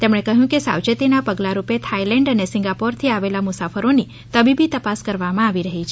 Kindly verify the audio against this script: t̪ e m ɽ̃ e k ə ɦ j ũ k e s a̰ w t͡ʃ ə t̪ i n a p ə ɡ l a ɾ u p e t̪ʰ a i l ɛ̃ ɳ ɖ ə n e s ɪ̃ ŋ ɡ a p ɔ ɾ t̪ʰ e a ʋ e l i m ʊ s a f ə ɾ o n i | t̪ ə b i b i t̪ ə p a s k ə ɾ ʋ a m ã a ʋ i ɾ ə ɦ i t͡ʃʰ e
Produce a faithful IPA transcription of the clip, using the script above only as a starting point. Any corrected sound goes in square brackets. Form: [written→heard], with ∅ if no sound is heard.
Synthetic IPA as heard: t̪ e m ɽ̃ e k ə ɦ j ũ k e s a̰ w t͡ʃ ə t̪ i n a p ə ɡ l a ɾ u p e t̪ʰ a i l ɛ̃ ɳ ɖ ə n e s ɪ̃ ŋ ɡ a p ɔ ɾ t̪ʰ [e→i] a ʋ e l [i→a] m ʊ s a f ə ɾ o n i | t̪ ə b i b i t̪ ə p a s k ə ɾ ʋ a m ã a ʋ i ɾ ə ɦ i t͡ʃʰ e